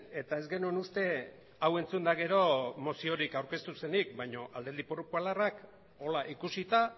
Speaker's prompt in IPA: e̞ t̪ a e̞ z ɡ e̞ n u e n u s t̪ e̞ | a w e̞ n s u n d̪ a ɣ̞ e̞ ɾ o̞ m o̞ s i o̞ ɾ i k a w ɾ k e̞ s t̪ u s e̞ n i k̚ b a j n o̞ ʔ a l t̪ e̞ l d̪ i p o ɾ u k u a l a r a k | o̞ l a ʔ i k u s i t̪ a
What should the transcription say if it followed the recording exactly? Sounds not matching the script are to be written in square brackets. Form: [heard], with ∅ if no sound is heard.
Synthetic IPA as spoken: e̞ t̪ a e̞ z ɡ e̞ n u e n u s t̪ e̞ | a w e̞ n [t͡s] u n d̪ a ɣ̞ e̞ ɾ o̞ m o̞ s i o̞ ɾ i k a w ɾ k e̞ s t̪ u s e̞ n i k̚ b a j [ɲ] o̞ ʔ a l [d̪] e̞ l d̪ i p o ɾ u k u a l a r a k | o̞ l a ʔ i k u s i t̪ a